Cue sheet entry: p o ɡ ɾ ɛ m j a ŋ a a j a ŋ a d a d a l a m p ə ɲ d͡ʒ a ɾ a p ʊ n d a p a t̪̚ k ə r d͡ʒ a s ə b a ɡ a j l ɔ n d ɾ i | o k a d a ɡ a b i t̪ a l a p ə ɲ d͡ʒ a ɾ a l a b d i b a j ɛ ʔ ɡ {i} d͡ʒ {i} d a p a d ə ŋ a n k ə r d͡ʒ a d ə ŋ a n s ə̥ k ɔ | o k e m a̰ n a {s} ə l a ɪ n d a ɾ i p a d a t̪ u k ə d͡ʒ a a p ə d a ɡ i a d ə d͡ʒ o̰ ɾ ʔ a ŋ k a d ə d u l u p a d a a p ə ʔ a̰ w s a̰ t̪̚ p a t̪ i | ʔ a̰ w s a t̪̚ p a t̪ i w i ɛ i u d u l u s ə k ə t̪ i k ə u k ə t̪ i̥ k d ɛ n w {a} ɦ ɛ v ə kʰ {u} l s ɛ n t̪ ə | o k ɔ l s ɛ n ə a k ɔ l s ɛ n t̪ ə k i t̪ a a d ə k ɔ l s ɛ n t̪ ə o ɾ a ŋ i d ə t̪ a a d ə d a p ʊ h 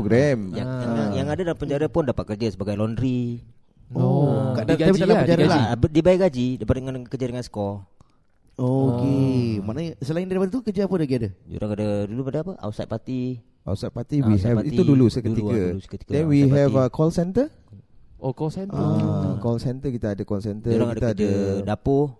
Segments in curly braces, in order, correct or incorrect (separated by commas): incorrect, correct, correct, incorrect, incorrect